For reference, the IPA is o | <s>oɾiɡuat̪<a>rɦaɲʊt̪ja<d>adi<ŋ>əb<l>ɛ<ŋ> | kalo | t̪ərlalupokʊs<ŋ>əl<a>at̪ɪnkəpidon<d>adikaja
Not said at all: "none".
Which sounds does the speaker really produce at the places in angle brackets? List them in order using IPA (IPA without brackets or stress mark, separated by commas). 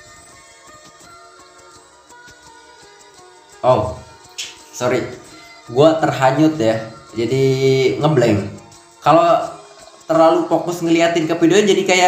s, ə, d͡ʒ, ŋ, l, ŋ, ŋ, i, d͡ʒ